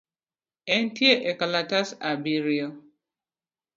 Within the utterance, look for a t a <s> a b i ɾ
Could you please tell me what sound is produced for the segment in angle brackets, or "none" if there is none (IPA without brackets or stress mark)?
s